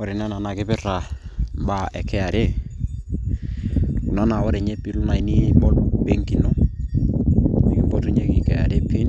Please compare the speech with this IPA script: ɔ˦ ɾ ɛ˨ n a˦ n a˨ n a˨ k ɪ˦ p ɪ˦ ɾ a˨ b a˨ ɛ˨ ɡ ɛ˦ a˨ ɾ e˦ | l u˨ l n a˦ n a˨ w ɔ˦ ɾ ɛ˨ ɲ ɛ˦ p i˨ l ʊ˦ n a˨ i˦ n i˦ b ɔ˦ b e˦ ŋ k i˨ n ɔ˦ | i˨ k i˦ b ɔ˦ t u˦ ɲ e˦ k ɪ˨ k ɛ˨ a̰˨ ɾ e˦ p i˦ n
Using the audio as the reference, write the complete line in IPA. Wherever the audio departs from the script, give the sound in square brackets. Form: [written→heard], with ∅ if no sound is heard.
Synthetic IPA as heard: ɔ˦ ɾ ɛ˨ n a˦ n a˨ n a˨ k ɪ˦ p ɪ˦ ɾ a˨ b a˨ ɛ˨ [ɡ→k] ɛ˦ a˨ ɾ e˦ | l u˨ [l→∅] n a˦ n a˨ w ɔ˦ ɾ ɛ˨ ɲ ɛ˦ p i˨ l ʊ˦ n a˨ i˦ n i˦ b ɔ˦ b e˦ ŋ k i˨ n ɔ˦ | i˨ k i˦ b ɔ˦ t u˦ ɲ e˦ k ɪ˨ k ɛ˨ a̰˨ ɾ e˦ p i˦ n